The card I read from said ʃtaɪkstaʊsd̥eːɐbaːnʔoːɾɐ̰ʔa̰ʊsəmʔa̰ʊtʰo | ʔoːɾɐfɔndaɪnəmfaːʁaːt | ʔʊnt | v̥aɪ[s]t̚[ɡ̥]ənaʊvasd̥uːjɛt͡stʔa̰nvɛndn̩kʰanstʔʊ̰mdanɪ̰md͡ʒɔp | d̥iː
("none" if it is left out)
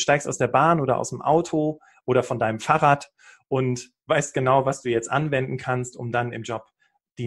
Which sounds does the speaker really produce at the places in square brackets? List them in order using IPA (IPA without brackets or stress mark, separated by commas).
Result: s, ɡ̥